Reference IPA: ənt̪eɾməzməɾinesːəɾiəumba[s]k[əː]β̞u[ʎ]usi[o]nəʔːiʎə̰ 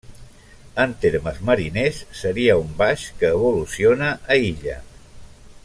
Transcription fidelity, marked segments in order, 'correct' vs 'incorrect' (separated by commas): incorrect, correct, incorrect, correct